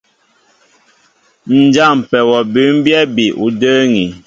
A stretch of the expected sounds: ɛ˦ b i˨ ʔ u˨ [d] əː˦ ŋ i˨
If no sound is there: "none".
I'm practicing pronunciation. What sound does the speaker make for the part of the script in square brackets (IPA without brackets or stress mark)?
d